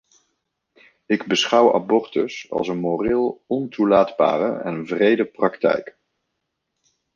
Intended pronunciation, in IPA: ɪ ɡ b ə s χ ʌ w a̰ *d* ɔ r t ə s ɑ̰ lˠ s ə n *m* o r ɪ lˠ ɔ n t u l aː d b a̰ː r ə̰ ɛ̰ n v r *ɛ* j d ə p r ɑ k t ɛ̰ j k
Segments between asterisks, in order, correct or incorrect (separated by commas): incorrect, correct, incorrect